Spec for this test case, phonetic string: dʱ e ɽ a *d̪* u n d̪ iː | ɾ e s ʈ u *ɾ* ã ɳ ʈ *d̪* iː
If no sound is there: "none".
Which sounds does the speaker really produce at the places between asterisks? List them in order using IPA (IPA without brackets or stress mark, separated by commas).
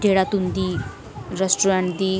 t̪, ɾ, d̪